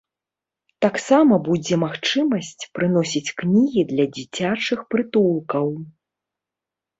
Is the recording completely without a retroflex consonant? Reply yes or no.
no